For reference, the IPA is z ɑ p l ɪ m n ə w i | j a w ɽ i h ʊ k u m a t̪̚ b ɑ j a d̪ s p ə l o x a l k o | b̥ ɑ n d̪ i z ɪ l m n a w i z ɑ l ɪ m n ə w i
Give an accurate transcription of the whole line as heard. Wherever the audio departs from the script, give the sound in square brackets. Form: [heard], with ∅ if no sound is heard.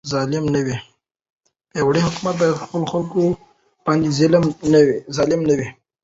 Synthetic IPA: z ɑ [∅] l ɪ m n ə w i | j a w ɽ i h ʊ k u m a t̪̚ b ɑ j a d̪ [x] p ə l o x a l k o | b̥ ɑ n d̪ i z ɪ l m n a w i z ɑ l ɪ m n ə w i